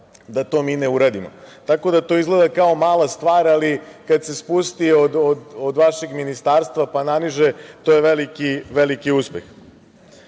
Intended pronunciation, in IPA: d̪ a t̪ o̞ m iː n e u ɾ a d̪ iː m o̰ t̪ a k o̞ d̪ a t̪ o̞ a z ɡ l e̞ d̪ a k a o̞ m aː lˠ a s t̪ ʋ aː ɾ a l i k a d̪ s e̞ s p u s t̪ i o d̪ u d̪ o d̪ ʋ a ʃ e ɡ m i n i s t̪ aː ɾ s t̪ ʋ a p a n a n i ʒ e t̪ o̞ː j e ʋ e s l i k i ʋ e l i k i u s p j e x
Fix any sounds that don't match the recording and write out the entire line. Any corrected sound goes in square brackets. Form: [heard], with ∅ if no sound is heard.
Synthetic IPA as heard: d̪ a t̪ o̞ m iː n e u ɾ a d̪ [i] m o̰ t̪ a k o̞ d̪ a t̪ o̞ [i] z ɡ l e̞ d̪ a k a o̞ m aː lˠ a s t̪ ʋ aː ɾ a l i k a d̪ s e̞ s p u s t̪ i o d̪ [o] d̪ o d̪ ʋ a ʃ e ɡ m i n i s t̪ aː ɾ s t̪ ʋ a p a n a n i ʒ e t̪ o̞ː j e ʋ e [∅] l i k i ʋ e l i k i u s p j e x